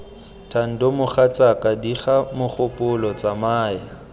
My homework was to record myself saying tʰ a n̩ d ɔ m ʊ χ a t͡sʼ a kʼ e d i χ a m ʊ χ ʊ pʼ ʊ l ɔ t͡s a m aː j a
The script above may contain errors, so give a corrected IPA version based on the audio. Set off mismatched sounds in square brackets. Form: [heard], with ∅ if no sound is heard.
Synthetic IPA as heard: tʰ a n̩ d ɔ m ʊ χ a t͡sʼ a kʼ [a] d i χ a m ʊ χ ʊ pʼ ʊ l ɔ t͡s a m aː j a